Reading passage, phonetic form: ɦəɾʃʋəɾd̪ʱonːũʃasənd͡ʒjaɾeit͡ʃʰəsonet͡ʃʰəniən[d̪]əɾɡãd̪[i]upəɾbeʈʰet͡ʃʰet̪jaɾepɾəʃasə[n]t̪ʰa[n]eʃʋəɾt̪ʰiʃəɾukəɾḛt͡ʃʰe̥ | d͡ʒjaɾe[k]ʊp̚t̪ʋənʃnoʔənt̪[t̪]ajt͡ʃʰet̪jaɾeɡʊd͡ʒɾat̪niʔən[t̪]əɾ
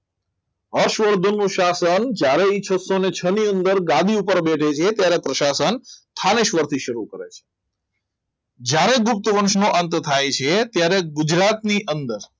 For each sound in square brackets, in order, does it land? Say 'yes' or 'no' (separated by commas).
yes, yes, yes, yes, no, no, no